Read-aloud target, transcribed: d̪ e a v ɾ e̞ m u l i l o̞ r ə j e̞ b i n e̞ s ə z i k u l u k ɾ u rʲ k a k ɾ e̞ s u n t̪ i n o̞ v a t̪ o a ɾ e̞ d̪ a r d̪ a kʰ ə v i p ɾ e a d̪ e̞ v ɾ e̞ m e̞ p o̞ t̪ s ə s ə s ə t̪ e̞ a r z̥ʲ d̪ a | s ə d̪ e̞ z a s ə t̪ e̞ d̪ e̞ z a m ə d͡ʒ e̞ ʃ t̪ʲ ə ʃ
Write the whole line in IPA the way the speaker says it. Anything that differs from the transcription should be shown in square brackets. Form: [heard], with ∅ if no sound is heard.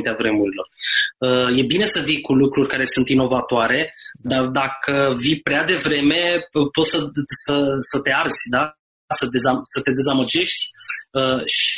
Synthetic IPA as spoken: [t̪] e a v ɾ e̞ m u [ɾ] i l o̞ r ə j e̞ b i n e̞ s ə [v] i k u l u k ɾ u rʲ k a [∅] ɾ e̞ s u n t̪ i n o̞ v a t̪ o a ɾ e̞ d̪ a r d̪ a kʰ ə v i p ɾ e a d̪ e̞ v ɾ e̞ m e̞ p o̞ t̪ s ə s ə s ə t̪ e̞ a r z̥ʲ d̪ a | s ə d̪ e̞ z a s ə t̪ e̞ d̪ e̞ z a m ə d͡ʒ e̞ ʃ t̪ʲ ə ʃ